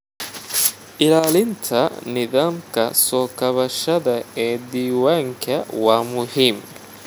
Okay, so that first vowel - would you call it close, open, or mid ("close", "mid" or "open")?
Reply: close